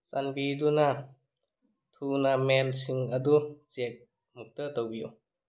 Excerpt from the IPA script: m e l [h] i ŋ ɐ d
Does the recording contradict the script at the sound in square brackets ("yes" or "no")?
yes